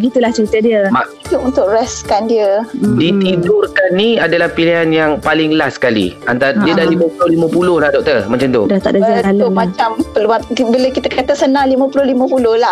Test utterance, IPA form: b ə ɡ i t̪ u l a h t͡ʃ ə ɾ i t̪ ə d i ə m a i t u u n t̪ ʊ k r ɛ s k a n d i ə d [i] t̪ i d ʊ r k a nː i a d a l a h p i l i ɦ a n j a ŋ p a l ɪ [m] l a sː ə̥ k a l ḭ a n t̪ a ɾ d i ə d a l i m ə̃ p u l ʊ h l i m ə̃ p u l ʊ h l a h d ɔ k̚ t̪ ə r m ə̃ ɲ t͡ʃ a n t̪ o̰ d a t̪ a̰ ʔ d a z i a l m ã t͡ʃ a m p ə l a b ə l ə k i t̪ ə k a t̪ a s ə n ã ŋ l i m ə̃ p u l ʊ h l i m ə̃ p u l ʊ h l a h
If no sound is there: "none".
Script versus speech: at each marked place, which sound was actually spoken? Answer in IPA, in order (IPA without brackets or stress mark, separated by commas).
i, ŋ